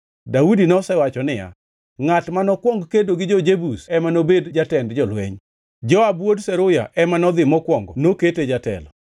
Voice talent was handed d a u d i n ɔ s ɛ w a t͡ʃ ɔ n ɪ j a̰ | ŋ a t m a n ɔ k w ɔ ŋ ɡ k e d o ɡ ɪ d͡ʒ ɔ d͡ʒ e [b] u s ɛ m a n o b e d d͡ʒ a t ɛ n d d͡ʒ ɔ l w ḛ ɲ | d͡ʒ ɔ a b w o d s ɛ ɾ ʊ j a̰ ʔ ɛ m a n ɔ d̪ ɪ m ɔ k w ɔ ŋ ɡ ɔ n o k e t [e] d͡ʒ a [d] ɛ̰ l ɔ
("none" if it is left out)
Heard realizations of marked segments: b, e, t

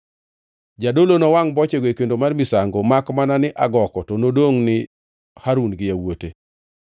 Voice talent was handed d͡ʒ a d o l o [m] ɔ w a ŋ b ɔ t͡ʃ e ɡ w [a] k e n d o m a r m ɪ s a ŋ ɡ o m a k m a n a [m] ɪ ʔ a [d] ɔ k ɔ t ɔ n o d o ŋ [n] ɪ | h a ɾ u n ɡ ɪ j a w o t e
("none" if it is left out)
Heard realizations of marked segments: n, e, n, ɡ, n

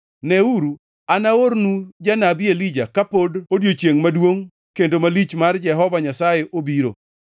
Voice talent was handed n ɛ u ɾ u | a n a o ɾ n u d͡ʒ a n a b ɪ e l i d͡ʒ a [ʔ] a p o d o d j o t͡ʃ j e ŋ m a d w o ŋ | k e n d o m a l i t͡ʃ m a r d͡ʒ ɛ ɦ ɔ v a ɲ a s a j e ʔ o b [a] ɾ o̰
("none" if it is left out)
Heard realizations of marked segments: k, i

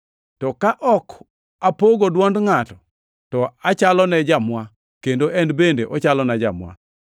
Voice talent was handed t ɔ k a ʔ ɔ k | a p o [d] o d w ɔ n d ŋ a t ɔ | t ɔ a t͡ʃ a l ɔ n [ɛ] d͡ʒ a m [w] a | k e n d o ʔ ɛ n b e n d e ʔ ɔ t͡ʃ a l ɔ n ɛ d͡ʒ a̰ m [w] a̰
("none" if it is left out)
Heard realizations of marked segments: ɡ, ɛ, w, w

